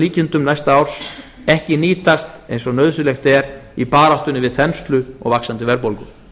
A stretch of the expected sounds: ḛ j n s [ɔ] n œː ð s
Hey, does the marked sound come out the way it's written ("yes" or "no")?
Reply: yes